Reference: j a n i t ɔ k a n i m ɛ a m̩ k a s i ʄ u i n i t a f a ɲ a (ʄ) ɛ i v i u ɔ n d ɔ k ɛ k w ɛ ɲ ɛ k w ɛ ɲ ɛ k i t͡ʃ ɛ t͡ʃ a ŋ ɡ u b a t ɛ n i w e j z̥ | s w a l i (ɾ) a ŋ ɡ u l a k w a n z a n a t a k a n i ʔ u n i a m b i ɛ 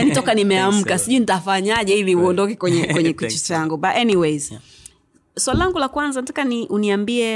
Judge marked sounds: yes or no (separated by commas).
yes, no